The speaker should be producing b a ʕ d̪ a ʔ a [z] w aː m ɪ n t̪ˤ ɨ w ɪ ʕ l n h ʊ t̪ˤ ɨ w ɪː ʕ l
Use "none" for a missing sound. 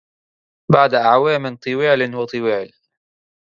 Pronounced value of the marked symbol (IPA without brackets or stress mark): ʕ